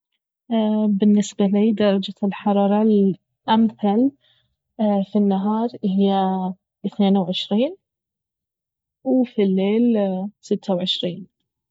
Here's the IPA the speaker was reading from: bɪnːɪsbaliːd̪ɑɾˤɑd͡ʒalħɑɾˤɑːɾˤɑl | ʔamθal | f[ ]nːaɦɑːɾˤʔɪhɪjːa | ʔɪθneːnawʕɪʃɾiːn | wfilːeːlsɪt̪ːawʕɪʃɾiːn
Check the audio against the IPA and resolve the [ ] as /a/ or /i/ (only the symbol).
i